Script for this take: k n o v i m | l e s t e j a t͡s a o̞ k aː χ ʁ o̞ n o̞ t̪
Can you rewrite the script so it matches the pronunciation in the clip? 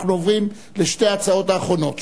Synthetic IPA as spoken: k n o v i m | l e ʃ t e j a t͡s a o̞ t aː χ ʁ o̞ n o̞ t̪